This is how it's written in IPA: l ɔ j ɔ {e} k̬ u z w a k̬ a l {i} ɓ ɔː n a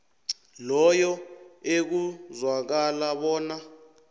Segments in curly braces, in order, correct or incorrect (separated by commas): correct, incorrect